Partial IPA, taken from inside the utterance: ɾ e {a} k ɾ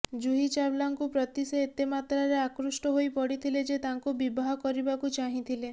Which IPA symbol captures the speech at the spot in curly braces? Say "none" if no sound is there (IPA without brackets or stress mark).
a